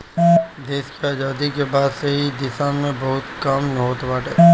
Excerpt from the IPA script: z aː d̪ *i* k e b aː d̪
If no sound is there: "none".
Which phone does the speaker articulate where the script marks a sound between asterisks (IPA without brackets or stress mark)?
i